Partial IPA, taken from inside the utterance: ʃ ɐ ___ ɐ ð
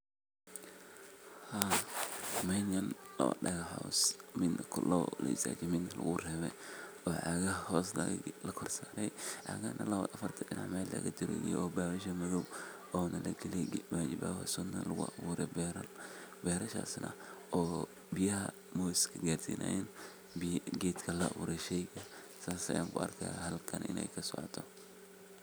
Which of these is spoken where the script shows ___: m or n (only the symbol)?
m